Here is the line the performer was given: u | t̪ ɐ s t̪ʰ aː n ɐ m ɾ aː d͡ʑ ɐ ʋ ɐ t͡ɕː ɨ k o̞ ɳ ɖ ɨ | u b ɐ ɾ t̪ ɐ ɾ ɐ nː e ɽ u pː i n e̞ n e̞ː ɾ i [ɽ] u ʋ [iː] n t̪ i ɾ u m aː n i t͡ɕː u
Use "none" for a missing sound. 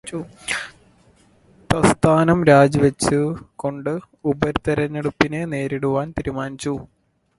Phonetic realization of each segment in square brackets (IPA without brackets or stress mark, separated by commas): ɽ, aː